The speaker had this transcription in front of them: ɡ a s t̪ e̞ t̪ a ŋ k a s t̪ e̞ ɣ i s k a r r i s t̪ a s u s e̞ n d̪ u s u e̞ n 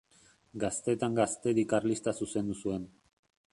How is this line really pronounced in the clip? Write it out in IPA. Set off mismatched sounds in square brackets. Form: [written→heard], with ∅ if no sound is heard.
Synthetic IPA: ɡ a s t̪ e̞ t̪ a ŋ [k→ɡ] a s t̪ e̞ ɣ i [s→∅] k a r [r→l] i s t̪ a s u s e̞ n d̪ u s u e̞ n